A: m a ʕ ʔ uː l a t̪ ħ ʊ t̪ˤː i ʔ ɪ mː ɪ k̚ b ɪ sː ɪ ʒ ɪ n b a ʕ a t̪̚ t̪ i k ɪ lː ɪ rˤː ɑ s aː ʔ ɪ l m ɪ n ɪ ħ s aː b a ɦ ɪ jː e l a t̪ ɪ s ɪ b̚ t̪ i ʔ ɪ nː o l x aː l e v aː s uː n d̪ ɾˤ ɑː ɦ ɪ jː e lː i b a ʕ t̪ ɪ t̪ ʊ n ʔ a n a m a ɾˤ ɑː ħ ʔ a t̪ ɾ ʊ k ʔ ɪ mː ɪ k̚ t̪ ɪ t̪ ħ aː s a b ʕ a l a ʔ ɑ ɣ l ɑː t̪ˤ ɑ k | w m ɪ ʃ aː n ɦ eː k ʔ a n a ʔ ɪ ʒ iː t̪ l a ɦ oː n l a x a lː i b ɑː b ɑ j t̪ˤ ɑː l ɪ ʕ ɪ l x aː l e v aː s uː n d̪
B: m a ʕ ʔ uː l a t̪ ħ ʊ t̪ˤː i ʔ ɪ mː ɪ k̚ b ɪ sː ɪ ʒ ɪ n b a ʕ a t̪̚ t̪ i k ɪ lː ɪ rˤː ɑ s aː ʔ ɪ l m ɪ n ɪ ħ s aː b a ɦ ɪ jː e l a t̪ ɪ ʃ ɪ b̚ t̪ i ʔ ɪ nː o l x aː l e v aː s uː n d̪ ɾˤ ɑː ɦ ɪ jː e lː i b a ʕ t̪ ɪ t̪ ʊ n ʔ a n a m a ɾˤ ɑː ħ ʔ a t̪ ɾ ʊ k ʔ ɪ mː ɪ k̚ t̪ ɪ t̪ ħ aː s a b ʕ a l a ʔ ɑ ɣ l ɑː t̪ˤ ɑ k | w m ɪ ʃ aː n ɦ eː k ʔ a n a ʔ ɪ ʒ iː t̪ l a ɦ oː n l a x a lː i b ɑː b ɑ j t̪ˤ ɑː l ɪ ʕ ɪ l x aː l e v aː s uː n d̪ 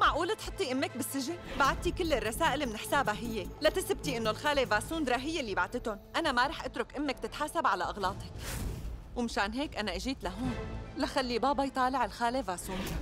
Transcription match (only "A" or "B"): A